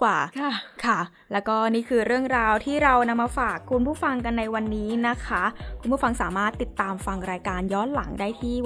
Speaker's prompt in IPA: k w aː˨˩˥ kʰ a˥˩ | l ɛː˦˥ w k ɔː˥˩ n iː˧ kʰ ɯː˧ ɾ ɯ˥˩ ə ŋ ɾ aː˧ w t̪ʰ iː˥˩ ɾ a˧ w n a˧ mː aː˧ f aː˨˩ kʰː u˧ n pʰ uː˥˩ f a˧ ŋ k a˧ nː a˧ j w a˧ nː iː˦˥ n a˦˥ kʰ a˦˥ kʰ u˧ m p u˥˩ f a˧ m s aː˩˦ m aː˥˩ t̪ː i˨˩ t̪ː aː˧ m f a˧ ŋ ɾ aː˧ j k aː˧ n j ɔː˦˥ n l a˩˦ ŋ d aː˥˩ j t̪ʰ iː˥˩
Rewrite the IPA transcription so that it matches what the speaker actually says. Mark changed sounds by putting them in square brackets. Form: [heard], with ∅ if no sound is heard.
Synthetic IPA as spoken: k w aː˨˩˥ kʰ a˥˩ | l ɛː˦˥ w k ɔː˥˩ n [iː˥˩] kʰ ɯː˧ ɾ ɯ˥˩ ə ŋ ɾ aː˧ w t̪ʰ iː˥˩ ɾ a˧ w n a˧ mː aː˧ f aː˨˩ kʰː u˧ n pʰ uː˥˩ f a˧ ŋ k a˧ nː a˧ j w a˧ nː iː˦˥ n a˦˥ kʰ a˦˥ kʰ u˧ [n] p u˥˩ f a˧ [ŋ] s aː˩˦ m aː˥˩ t̪ː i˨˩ t̪ː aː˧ m f a˧ ŋ ɾ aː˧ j k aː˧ n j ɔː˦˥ n l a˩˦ ŋ d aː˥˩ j t̪ʰ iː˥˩